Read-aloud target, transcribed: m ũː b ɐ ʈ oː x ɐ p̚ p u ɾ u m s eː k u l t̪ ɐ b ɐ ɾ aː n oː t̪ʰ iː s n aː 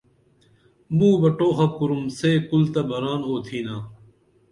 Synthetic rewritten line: m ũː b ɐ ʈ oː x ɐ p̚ k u ɾ u m s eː k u l t̪ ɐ b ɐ ɾ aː n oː t̪ʰ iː n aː